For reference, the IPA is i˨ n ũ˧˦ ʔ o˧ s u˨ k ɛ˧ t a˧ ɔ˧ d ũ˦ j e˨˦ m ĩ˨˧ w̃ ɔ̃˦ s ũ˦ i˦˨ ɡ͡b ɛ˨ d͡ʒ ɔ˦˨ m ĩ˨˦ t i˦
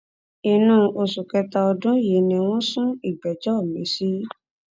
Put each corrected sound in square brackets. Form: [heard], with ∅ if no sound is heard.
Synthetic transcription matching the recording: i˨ n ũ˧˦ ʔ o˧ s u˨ k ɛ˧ t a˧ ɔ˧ d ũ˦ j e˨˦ [n] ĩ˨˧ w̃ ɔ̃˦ s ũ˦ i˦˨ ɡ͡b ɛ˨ d͡ʒ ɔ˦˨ m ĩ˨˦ [s] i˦